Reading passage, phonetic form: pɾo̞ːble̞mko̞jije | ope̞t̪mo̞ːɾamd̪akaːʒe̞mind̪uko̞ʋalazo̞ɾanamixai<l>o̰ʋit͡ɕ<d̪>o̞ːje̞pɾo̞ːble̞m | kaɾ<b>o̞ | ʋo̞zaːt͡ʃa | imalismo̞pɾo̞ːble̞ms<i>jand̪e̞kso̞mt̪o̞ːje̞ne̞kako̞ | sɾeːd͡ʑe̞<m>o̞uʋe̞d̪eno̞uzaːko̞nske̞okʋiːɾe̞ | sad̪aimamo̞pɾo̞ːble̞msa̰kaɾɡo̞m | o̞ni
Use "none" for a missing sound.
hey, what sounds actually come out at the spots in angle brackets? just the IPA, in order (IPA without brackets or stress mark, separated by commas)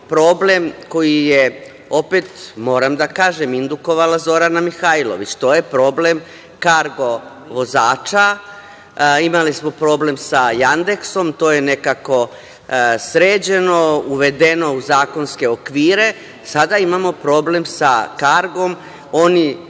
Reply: l, t̪, ɡ, a, n